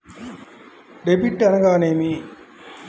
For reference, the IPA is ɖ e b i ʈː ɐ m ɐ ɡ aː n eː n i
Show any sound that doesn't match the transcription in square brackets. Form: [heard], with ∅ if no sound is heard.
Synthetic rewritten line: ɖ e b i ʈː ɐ [n] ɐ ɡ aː n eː [m] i